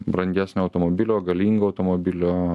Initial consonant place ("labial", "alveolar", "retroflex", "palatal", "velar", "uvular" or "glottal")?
labial